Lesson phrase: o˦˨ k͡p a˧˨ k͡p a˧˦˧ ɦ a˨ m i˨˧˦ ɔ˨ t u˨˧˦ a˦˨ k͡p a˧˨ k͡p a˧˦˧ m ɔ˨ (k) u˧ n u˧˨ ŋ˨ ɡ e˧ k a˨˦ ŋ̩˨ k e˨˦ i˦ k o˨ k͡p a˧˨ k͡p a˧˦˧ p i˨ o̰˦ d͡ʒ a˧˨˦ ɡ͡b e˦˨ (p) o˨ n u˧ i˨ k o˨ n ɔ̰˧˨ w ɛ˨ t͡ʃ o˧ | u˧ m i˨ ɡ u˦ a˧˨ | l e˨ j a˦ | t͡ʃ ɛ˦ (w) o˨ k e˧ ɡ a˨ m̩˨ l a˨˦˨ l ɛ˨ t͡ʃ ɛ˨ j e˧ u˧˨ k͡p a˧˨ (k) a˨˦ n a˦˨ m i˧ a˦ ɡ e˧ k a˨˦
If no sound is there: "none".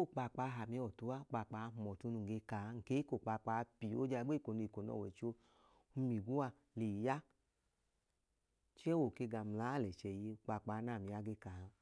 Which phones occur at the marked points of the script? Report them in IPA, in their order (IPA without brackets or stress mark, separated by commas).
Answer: t, k, w, k͡p